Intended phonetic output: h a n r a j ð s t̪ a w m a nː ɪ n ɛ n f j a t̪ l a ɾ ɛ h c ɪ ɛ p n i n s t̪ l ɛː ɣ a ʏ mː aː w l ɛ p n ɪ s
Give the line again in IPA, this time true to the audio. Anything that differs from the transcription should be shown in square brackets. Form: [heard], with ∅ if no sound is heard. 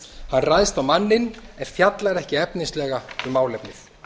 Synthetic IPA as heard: h a n r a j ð s t̪ a w m a nː ɪ n ɛ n f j a t̪ l a ɾ ɛ h c ɪ ɛ p n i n s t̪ l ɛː ɣ a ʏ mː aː w l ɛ p n ɪ [θ]